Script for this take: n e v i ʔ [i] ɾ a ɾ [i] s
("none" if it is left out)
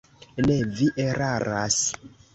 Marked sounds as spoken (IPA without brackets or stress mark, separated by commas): e, a